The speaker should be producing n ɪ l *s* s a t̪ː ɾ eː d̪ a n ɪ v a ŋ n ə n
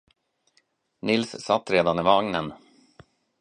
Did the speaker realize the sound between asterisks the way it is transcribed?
yes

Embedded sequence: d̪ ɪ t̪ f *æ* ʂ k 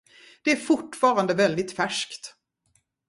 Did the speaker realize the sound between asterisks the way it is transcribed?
yes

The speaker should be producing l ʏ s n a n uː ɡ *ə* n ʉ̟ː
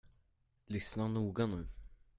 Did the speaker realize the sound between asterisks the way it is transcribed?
no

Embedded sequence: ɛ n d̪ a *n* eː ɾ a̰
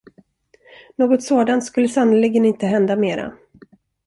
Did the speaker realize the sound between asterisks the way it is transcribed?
no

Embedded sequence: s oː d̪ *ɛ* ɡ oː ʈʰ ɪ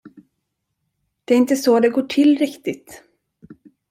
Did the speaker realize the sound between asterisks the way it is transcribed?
yes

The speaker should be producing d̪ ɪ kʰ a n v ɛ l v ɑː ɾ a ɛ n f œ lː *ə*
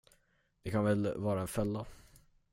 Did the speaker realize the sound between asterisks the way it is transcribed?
no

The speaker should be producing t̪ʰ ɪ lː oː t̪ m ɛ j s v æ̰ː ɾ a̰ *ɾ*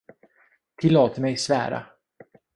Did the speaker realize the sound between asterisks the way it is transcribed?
no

